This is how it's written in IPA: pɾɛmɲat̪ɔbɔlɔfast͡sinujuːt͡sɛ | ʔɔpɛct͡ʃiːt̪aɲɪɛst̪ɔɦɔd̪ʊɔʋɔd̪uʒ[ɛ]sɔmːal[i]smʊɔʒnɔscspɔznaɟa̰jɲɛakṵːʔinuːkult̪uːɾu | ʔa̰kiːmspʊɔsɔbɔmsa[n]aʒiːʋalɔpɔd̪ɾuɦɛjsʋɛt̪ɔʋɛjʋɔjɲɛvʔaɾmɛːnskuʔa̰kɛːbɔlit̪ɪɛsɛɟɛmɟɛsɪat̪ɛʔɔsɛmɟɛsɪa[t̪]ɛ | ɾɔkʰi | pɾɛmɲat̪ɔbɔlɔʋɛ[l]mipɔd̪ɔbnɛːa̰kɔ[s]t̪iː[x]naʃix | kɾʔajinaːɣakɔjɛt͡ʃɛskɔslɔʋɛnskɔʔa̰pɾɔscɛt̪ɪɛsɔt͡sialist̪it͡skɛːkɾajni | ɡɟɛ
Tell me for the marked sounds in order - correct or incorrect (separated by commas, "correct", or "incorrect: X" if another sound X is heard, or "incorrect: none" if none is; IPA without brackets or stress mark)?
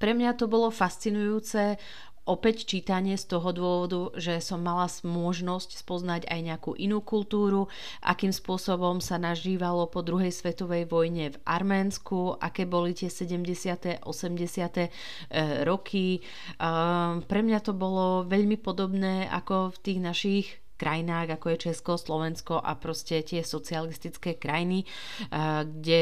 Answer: correct, incorrect: a, correct, correct, incorrect: ʎ, incorrect: f, incorrect: ɣ